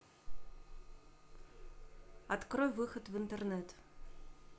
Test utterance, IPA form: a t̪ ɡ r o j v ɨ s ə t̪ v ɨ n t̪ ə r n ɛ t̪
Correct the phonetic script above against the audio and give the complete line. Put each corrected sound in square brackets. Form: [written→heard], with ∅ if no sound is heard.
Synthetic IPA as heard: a t̪ [ɡ→k] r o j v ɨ [s→x] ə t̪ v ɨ n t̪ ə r n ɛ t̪

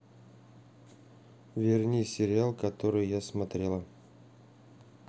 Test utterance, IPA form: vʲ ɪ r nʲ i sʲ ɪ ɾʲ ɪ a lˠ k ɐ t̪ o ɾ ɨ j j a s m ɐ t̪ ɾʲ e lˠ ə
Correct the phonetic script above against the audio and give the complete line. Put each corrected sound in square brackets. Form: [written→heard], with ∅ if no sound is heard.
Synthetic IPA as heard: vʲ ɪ r nʲ i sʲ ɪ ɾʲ ɪ a lˠ k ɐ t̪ o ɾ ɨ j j a s m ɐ t̪ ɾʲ e lˠ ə

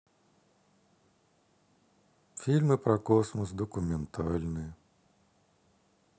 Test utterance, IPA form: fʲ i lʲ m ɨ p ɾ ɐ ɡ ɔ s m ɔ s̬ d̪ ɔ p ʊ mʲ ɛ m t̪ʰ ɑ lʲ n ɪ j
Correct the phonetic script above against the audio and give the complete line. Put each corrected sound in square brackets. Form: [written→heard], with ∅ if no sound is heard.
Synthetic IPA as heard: fʲ i lʲ m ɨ p ɾ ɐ [ɡ→k] ɔ s m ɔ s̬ d̪ ɔ [p→k] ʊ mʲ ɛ [m→n] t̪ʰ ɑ lʲ n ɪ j

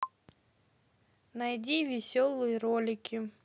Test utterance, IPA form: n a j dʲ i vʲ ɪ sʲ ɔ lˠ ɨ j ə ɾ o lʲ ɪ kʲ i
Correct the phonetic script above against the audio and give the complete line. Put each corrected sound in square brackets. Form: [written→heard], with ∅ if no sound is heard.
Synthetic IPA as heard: n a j dʲ i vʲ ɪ sʲ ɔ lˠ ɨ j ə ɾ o lʲ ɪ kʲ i

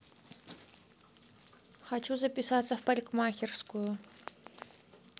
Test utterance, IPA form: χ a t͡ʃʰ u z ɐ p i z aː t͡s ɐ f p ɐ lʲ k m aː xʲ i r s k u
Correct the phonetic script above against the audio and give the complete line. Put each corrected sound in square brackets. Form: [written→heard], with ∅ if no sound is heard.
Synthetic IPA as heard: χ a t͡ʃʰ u z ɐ p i [z→s] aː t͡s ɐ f p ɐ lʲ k m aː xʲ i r s k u

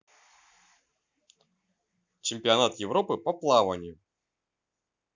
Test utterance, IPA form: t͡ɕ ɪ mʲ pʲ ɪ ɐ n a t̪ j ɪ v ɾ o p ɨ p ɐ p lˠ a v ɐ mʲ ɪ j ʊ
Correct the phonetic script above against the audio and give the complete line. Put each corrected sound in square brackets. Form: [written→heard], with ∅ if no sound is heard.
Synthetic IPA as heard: t͡ɕ ɪ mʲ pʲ ɪ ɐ n a t̪ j ɪ v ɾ o p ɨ p ɐ p lˠ a v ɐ [mʲ→nʲ] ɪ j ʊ

